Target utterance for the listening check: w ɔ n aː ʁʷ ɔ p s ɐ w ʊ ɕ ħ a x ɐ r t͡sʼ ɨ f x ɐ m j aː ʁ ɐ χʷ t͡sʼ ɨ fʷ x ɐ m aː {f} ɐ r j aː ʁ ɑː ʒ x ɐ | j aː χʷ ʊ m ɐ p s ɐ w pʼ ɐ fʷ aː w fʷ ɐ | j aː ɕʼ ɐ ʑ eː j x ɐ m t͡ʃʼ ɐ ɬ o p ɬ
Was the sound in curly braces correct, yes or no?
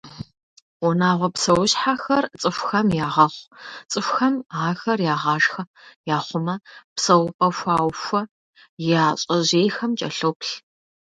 no